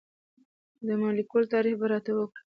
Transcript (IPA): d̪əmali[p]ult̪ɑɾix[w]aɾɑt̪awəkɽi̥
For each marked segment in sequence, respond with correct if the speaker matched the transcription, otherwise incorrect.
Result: incorrect: k, incorrect: b

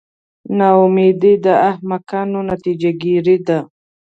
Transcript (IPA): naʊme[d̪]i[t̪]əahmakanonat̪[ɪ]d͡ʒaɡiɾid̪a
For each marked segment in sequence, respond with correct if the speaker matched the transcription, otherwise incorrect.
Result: correct, incorrect: d̪, incorrect: i

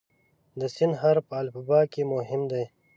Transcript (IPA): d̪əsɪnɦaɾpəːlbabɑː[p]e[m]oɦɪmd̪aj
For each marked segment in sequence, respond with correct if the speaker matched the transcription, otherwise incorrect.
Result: incorrect: k, correct

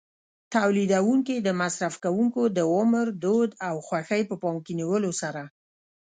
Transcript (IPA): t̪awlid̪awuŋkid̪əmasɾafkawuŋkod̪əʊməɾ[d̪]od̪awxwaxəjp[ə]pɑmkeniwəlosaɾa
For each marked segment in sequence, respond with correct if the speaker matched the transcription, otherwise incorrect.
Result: correct, correct

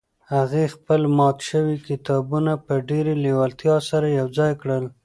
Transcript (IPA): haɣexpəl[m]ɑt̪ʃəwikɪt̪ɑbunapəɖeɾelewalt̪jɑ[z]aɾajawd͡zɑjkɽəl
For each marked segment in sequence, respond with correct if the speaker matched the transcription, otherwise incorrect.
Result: correct, incorrect: s

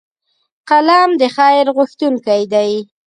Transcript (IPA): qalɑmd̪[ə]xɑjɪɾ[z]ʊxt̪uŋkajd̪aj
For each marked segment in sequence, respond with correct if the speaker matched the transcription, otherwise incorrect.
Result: correct, incorrect: ɣ

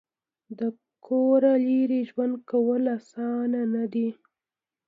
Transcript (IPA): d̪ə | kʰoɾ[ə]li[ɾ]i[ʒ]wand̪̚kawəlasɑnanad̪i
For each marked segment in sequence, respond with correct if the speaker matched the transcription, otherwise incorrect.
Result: incorrect: a, correct, correct

